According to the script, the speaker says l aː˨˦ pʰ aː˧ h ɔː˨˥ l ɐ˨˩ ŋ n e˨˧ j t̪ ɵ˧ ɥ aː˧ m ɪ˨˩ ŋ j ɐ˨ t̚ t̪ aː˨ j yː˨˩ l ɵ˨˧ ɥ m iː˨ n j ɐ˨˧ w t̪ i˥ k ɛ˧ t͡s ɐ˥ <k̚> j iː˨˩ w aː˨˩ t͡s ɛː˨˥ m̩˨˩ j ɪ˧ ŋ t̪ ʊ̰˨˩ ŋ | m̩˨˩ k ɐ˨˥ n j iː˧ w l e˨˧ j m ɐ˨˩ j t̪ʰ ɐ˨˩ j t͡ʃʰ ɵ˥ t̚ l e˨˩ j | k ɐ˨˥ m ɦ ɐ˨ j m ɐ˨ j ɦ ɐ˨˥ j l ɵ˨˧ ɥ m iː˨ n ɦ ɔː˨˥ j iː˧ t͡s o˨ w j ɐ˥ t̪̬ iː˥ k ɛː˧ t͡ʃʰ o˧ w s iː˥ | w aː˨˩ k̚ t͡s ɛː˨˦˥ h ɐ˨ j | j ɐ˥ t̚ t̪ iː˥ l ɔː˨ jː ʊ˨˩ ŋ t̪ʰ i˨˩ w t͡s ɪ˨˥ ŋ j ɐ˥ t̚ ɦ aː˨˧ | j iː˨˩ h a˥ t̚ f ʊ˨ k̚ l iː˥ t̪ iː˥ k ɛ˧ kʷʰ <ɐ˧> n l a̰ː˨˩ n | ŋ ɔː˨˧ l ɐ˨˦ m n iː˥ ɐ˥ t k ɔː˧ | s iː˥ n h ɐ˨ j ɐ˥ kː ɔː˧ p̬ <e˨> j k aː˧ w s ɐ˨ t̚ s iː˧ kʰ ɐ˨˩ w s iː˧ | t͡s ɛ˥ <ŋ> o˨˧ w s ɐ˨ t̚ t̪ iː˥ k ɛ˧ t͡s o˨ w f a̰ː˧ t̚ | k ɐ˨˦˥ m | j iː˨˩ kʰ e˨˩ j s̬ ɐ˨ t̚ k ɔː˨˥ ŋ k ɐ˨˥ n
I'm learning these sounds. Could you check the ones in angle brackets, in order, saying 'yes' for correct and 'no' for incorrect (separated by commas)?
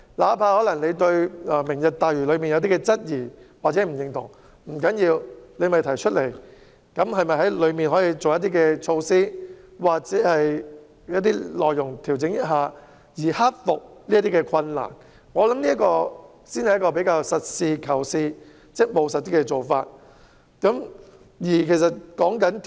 no, yes, no, no